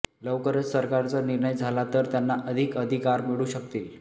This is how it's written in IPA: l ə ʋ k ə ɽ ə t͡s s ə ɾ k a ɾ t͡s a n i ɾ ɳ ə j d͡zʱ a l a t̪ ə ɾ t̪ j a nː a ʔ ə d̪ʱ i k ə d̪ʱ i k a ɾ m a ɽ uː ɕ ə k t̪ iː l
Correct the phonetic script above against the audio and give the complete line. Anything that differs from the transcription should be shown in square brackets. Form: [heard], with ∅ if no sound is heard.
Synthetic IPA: l ə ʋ k ə [ɾ] ə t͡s s ə ɾ k a ɾ t͡s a n i ɾ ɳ ə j d͡zʱ a l a t̪ ə ɾ t̪ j a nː a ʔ ə d̪ʱ i k ə d̪ʱ i k a ɾ m [i] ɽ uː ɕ ə k t̪ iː l